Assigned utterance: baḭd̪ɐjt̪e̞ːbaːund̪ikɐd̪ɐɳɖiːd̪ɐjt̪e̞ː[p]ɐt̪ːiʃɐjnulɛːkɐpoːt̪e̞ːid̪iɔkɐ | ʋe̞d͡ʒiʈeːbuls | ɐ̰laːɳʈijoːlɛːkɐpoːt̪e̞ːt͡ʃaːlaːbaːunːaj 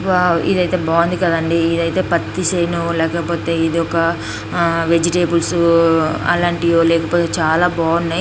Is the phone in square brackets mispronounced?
no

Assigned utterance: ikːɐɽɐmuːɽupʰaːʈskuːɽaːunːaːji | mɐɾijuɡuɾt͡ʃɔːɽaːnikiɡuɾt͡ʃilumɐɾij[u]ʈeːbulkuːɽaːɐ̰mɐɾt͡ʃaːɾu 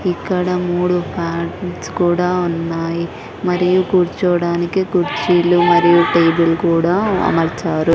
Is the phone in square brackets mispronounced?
no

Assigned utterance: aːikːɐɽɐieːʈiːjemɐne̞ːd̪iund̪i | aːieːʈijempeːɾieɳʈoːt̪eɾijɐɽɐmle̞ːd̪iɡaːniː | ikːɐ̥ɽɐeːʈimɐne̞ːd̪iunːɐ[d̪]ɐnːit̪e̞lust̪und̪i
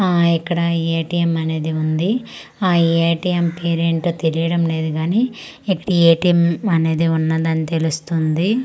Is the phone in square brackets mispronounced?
no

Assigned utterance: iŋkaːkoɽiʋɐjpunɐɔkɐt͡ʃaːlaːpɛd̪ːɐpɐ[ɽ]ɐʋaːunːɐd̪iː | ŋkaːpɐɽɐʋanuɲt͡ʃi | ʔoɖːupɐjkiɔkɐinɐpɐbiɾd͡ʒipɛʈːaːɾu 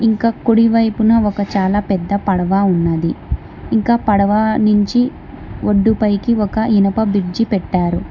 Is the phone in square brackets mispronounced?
no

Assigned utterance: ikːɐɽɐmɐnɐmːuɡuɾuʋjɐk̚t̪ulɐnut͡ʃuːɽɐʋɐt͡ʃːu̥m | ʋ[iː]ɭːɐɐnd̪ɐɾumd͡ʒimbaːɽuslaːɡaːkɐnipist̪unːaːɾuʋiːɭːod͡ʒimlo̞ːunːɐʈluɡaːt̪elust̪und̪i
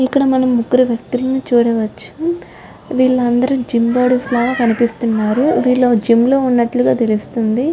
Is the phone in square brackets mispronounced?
no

